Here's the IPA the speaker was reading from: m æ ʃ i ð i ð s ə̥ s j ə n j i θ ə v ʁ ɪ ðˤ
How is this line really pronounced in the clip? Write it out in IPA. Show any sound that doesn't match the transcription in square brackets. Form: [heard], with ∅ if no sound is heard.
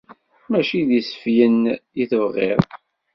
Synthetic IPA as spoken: m æ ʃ i ð i [∅] s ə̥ [f] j ə n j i θ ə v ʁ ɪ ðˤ